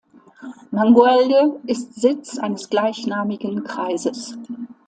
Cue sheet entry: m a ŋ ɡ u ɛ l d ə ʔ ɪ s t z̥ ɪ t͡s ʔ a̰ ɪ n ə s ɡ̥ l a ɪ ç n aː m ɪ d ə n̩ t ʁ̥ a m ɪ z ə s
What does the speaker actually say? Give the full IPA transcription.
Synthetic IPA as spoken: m a ŋ ɡ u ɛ l d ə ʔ ɪ s t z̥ ɪ t͡s ʔ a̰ ɪ n ə s ɡ̥ l a ɪ ç n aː m ɪ ɡ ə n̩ k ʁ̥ a ɪ z ə s